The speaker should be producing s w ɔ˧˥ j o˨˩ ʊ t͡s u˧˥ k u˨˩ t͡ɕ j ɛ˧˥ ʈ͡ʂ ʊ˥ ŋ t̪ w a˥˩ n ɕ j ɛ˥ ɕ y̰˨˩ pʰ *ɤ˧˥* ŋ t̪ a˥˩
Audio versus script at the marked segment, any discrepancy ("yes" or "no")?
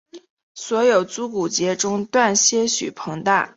no